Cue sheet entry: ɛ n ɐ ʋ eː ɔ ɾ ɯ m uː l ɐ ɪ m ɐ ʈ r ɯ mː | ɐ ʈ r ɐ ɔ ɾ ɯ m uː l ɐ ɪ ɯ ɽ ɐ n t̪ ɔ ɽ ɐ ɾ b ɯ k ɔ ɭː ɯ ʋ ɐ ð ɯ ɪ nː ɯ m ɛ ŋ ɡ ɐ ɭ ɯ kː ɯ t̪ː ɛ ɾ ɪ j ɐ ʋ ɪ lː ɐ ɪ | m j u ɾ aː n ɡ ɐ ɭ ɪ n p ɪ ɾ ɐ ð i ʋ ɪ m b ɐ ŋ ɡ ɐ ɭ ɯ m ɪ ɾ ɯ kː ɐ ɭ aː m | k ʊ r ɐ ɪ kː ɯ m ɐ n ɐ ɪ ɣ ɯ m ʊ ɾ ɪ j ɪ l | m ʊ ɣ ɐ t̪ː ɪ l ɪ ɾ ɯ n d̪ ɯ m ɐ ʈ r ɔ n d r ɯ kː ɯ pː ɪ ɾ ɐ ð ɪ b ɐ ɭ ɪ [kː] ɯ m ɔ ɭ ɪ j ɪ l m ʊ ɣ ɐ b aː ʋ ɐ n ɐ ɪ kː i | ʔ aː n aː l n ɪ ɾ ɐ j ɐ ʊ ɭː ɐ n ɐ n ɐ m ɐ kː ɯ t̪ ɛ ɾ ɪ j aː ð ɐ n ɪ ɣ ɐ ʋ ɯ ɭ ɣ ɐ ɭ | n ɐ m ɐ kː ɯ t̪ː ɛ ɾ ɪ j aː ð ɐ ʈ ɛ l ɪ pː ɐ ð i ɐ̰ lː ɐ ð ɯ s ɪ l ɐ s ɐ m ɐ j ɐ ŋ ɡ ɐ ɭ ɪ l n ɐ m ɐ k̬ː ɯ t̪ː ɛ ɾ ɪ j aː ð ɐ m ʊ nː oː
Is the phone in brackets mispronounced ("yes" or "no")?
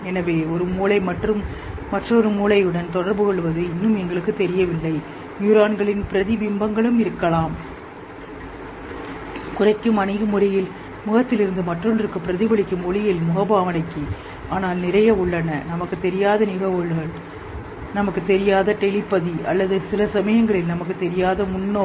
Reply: no